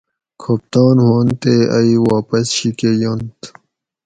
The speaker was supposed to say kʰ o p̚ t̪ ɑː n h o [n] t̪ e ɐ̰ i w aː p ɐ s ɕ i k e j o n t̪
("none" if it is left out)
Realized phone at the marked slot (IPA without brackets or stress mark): n